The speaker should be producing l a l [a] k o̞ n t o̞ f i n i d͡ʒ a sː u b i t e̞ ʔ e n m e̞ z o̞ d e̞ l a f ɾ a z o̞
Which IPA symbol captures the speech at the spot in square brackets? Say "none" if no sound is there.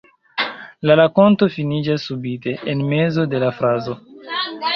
a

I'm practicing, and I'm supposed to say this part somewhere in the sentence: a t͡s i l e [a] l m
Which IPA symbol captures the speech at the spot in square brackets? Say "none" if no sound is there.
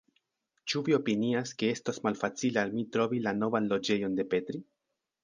a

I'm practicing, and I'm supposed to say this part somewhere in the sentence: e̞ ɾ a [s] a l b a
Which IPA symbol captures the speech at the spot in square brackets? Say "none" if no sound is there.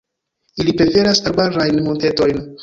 s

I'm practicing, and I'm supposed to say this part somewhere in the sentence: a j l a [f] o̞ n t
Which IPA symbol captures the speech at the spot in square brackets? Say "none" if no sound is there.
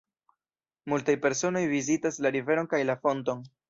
f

